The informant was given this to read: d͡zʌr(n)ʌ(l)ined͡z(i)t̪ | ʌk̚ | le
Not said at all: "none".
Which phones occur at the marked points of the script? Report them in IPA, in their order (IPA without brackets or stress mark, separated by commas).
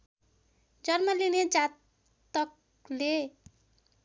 m, l, a